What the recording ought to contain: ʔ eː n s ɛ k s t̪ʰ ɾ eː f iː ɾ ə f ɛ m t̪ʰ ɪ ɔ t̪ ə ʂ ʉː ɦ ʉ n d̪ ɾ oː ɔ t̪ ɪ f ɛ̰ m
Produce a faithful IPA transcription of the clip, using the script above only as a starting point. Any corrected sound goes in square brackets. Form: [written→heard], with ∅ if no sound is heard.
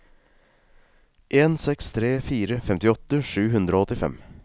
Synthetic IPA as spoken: ʔ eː n s ɛ k s t̪ʰ ɾ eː f iː ɾ ə f ɛ m [t̪ʰ→t̪] ɪ ɔ t̪ ə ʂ ʉː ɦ ʉ n d̪ ɾ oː ɔ t̪ ɪ f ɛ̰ m